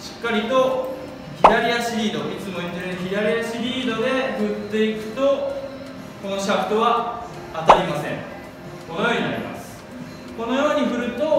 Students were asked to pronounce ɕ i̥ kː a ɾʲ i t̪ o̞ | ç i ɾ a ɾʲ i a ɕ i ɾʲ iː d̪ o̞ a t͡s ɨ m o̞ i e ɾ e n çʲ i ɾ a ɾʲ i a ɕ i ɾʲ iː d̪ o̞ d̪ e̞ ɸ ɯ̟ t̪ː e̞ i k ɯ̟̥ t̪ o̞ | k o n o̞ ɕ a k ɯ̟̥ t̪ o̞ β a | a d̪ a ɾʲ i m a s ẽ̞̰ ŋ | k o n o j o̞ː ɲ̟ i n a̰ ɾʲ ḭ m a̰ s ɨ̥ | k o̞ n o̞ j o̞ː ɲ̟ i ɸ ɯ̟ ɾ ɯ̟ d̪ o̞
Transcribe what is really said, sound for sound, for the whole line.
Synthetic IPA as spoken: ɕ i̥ kː a ɾʲ i t̪ o̞ | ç i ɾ a ɾʲ i a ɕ i ɾʲ iː d̪ o̞ i t͡s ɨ m o̞ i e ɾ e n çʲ i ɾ a ɾʲ i a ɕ i ɾʲ iː d̪ o̞ d̪ e̞ ɸ ɯ̟ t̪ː e̞ i k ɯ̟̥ t̪ o̞ | k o n o̞ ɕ a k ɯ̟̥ t̪ o̞ β a | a t̪ a ɾʲ i m a s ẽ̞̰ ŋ | k o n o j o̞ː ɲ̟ i n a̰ ɾʲ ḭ m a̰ s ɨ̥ | k o̞ n o̞ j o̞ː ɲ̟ i ɸ ɯ̟ ɾ ɯ̟ t̪ o̞